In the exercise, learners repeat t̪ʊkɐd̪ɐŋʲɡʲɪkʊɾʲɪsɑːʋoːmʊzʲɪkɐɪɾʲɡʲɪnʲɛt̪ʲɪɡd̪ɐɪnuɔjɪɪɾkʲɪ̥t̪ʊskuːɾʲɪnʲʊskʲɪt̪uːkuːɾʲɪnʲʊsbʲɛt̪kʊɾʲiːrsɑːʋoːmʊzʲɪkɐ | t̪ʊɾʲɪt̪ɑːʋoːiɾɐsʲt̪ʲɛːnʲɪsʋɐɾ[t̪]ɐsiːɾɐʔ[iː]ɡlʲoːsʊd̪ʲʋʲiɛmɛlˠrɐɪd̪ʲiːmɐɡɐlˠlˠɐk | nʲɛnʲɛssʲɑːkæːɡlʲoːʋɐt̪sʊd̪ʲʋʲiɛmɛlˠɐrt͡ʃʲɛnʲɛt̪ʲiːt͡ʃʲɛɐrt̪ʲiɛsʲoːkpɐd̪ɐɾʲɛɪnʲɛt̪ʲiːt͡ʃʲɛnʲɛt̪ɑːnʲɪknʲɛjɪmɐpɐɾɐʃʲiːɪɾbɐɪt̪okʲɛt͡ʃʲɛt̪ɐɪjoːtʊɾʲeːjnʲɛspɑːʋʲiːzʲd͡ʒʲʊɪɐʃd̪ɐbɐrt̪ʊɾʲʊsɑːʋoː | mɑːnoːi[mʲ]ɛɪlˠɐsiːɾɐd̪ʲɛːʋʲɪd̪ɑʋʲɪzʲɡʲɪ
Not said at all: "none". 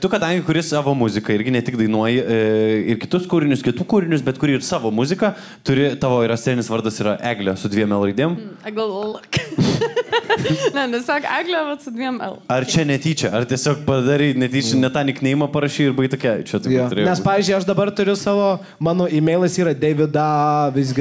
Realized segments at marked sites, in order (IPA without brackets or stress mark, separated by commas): d̪, æː, mʲ